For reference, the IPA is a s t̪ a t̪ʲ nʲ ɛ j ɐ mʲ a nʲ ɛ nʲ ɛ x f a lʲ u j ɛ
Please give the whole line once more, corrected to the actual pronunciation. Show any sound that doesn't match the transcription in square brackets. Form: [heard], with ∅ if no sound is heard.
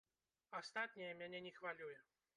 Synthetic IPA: a s t̪ a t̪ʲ nʲ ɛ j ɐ mʲ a nʲ ɛ nʲ ɛ x [v] a lʲ u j ɛ